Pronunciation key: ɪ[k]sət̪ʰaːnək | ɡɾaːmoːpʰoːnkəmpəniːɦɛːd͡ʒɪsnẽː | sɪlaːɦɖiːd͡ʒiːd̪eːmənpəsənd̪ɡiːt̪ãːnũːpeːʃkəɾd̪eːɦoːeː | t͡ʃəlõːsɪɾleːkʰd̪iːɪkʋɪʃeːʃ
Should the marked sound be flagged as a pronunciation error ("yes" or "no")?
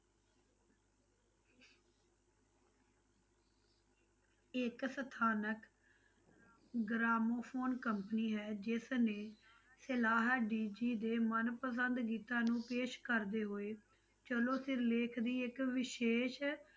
no